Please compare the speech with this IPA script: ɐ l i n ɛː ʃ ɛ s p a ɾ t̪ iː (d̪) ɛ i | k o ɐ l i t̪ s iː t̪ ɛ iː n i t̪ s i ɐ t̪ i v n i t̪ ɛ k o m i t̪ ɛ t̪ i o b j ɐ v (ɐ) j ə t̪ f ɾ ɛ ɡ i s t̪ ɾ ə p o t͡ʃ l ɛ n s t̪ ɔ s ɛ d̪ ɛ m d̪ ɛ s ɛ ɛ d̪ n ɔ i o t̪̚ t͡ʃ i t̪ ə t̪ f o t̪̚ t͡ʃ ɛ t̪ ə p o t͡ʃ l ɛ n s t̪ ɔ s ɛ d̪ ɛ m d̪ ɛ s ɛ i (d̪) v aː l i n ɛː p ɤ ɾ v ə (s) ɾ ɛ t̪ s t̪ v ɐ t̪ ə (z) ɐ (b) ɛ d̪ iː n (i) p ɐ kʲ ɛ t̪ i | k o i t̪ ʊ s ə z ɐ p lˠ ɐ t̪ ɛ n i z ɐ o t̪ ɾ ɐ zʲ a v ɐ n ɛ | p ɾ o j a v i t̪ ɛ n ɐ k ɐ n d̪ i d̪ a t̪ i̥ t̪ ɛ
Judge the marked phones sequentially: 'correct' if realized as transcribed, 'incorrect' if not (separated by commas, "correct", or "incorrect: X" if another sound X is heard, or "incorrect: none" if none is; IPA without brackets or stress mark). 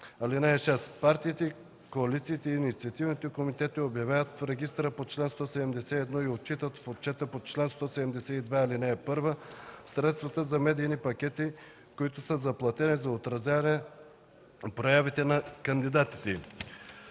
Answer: incorrect: t̪, incorrect: a, correct, correct, correct, incorrect: m, correct